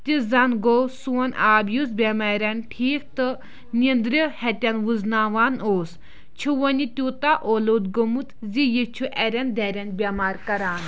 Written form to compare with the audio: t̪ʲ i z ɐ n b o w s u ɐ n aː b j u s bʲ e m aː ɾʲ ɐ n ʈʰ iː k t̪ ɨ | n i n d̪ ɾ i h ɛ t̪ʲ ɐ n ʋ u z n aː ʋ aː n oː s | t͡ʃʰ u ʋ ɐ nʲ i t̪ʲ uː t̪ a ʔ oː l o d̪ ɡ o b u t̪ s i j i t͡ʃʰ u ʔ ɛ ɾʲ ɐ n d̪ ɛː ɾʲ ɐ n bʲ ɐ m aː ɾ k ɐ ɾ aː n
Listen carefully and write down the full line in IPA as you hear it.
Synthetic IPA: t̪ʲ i z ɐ n ɡ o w s u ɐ n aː b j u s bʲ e m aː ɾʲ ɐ n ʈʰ iː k t̪ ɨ | n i n d̪ ɾ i h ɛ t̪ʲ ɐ n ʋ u z n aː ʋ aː n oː s | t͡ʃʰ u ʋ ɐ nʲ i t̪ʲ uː t̪ a ʔ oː l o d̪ ɡ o m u t̪ z i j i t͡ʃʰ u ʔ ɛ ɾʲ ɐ n d̪ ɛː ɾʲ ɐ n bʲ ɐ m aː ɾ k ɐ ɾ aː n